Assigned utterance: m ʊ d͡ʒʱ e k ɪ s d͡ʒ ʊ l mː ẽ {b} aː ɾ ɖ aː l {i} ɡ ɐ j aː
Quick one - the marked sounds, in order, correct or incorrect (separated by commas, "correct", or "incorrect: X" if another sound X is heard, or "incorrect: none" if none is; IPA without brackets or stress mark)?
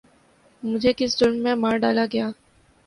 incorrect: m, incorrect: a